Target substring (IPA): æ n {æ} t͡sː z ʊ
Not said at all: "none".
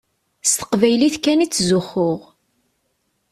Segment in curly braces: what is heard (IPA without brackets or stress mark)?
i